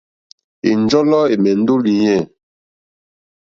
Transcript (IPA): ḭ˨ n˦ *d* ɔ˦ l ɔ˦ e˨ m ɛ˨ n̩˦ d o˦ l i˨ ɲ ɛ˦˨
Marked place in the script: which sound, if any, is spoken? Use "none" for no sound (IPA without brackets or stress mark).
d͡ʒ